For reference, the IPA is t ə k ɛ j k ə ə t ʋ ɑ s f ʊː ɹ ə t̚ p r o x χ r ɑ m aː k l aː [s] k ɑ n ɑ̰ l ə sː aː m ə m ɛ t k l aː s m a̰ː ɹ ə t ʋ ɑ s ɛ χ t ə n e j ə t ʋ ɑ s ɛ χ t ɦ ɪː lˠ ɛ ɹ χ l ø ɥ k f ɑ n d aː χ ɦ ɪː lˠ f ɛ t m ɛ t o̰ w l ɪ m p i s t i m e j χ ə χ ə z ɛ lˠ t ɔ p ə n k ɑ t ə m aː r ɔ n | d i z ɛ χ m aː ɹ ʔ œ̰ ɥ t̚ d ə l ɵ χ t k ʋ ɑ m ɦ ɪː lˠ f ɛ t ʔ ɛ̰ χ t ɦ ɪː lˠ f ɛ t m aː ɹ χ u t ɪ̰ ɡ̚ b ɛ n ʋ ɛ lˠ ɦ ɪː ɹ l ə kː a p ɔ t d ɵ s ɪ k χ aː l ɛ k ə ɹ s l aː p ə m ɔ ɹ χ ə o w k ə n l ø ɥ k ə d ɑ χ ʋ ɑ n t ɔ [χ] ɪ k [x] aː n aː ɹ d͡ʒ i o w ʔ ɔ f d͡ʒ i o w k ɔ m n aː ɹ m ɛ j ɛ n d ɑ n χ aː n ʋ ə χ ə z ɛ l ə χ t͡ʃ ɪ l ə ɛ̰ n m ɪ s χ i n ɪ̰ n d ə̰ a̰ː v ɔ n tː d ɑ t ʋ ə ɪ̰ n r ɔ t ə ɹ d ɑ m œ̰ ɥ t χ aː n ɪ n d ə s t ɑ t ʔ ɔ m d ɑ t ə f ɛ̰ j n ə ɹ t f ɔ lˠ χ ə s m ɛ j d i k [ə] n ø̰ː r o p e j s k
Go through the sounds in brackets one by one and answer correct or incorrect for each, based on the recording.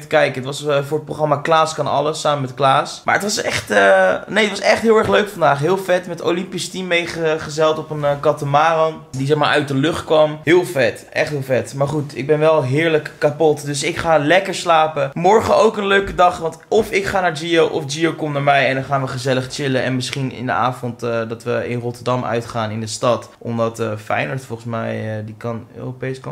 correct, incorrect: f, incorrect: χ, incorrect: ɑ

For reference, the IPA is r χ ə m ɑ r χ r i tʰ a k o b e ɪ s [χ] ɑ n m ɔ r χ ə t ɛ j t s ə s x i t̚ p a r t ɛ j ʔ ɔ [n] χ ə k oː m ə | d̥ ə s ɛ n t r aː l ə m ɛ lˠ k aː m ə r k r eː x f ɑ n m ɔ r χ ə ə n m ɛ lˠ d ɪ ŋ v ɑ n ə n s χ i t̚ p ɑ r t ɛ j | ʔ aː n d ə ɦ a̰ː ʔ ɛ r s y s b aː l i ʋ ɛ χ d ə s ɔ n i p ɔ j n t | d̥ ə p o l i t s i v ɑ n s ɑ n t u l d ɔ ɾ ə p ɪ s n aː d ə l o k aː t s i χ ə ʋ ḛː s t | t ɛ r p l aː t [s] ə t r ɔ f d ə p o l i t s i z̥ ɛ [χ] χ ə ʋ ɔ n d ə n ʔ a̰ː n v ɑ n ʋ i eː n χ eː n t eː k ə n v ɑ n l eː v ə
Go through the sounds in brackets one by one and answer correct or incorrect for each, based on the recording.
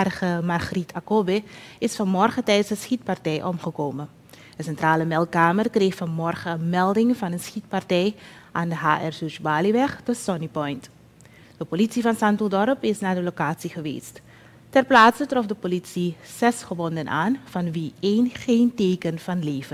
incorrect: f, incorrect: m, correct, incorrect: s

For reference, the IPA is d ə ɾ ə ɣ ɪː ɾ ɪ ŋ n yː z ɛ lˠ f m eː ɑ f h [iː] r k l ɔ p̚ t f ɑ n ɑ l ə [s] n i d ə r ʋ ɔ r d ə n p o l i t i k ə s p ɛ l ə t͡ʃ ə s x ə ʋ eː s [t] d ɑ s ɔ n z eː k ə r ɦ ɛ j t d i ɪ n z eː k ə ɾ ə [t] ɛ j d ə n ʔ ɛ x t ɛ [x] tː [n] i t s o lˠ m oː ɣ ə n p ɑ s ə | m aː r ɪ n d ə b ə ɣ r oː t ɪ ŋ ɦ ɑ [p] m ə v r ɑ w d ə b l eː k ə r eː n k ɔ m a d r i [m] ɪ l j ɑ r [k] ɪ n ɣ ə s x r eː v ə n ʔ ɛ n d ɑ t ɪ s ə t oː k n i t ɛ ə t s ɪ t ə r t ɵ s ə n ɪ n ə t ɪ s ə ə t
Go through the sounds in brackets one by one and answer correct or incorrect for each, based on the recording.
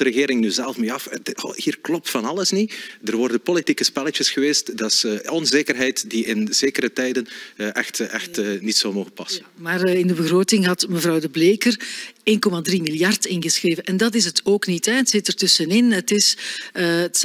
correct, correct, correct, correct, correct, correct, incorrect: t, correct, incorrect: t

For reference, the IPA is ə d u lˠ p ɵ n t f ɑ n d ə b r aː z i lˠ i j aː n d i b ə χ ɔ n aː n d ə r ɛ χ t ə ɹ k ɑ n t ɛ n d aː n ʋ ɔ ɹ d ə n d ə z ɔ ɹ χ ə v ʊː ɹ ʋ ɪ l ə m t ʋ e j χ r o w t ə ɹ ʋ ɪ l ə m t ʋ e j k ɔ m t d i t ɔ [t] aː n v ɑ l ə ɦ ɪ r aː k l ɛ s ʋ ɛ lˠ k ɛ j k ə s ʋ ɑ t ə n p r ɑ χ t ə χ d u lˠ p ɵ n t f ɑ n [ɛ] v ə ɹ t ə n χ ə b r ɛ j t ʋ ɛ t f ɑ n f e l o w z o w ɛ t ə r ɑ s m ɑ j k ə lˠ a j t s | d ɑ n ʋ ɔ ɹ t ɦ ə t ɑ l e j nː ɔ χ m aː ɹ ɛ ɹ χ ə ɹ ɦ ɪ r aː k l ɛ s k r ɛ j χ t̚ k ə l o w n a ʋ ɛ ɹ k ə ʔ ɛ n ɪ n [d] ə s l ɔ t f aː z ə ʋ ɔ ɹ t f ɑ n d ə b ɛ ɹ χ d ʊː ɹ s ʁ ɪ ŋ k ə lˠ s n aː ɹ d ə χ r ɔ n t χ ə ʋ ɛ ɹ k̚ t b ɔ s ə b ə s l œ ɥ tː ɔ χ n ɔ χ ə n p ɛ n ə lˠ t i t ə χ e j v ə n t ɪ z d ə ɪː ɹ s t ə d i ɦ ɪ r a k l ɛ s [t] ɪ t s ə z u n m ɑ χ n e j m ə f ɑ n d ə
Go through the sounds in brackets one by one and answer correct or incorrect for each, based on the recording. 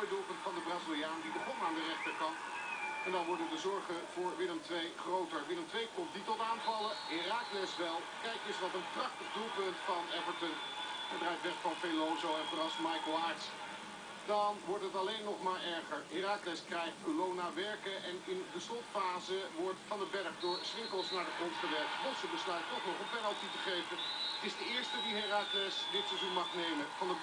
correct, correct, correct, incorrect: d

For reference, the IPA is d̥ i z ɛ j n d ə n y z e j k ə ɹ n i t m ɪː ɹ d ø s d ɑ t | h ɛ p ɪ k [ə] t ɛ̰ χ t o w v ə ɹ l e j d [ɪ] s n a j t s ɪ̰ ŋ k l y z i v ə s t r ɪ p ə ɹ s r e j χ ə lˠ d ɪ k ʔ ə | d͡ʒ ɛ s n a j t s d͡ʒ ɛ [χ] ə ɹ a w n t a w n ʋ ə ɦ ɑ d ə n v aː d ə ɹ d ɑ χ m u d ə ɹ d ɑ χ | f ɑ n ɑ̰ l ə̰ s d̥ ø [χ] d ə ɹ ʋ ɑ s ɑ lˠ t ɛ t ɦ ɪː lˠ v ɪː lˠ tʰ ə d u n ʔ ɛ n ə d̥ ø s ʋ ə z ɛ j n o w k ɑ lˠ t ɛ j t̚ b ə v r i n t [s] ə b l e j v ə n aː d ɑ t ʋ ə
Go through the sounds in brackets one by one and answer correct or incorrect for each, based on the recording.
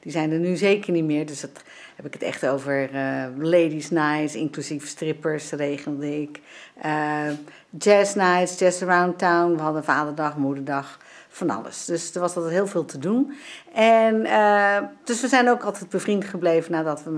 correct, incorrect: i, incorrect: s, incorrect: s, incorrect: χ

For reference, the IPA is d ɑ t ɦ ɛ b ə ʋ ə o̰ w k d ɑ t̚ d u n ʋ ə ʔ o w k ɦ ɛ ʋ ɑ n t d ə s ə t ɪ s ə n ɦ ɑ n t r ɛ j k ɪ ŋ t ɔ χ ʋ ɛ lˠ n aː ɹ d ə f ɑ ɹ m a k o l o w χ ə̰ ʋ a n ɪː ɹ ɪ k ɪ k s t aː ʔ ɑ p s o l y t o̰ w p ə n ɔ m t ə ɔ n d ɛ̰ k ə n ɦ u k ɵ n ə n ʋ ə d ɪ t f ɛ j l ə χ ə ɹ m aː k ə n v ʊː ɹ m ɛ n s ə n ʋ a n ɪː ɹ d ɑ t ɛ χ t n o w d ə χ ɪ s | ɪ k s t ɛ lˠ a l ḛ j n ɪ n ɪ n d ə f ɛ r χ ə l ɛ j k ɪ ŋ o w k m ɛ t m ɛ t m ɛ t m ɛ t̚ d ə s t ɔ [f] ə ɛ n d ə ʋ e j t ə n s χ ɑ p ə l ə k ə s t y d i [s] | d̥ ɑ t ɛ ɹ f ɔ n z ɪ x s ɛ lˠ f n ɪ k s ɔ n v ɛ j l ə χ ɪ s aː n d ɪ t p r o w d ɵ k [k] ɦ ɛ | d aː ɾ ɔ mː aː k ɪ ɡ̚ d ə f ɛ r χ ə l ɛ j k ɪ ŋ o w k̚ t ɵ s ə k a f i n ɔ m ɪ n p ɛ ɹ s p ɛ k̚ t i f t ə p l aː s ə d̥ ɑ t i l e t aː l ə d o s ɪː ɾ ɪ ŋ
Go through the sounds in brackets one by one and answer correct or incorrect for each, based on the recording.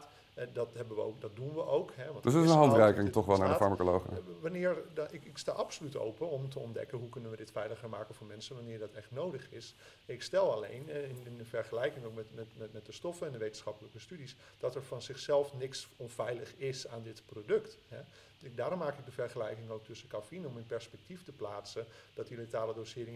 correct, correct, incorrect: t

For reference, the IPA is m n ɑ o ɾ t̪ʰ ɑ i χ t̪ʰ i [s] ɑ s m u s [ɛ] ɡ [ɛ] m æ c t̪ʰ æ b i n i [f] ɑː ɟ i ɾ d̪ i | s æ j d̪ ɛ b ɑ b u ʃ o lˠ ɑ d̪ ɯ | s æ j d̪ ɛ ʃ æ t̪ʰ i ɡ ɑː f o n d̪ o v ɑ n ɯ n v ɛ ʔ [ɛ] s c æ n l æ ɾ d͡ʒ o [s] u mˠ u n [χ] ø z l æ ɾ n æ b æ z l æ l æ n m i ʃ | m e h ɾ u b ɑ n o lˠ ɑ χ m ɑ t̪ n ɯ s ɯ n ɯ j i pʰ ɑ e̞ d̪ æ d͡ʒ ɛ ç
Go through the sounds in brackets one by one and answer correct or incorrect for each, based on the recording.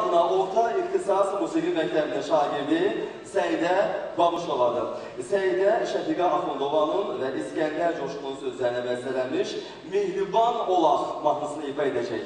correct, incorrect: i, incorrect: i, incorrect: ʃ, incorrect: i, incorrect: ʃ, incorrect: s

